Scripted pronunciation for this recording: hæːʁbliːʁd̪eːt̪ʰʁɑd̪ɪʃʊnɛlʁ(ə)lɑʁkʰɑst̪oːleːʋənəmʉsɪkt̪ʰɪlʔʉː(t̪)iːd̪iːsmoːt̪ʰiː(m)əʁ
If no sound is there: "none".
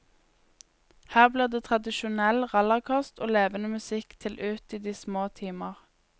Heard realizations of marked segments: ɑ, t̪, m

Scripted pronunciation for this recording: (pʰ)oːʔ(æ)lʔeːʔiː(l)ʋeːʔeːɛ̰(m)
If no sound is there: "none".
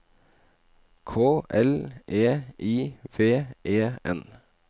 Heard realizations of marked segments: kʰ, ɛ, none, n

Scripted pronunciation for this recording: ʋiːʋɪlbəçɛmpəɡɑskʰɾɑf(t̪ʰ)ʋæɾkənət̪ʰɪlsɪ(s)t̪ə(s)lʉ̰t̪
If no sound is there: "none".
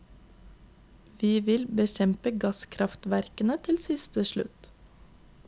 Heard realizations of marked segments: t̪, s, ʃ

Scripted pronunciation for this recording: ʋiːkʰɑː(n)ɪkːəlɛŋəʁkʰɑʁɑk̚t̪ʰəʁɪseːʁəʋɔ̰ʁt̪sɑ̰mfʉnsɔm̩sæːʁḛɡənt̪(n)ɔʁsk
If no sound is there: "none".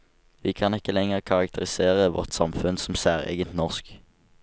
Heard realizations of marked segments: n, n

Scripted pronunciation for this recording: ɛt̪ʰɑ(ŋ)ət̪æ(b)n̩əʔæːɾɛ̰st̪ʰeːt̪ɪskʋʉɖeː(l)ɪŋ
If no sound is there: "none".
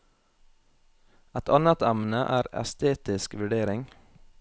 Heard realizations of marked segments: n, m, ɾ

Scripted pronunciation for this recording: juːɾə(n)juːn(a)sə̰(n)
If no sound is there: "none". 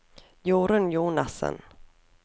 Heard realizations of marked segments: n, a, n

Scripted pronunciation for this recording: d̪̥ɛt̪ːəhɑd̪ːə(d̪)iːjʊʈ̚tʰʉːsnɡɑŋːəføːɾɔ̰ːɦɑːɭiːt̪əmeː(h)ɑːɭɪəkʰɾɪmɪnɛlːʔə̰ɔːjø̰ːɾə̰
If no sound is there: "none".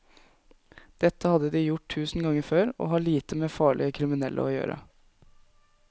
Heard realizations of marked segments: d̪, f

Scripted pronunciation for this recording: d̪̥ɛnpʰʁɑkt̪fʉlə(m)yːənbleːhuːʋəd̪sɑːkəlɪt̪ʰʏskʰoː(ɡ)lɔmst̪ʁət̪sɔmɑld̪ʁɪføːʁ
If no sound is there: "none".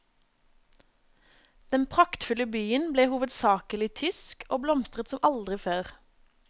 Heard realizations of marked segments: b, b

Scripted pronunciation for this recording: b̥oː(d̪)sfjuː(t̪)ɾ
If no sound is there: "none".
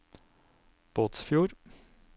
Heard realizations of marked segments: t̪, none

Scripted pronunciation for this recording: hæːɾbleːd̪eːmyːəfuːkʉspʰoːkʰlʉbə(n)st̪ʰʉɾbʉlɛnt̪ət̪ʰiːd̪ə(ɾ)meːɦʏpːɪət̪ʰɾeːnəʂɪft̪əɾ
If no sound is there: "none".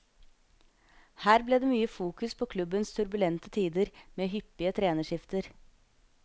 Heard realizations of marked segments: n, ɾ

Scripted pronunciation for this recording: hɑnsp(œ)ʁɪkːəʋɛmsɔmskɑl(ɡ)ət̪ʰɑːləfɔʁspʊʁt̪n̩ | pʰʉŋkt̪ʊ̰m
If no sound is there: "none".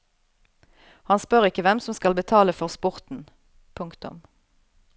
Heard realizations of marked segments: œ, b

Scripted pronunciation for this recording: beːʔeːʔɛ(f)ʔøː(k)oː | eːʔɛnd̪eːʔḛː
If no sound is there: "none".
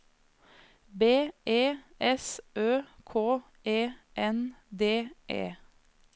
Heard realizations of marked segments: s, kʰ

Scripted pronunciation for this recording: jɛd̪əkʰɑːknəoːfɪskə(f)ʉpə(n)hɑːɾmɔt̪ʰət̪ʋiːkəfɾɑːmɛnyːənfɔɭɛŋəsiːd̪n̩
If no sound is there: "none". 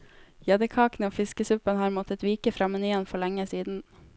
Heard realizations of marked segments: s, n

